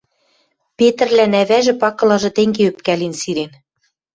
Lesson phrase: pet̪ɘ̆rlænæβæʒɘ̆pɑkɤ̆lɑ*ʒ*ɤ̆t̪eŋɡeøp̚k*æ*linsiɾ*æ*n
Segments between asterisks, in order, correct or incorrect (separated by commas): correct, correct, incorrect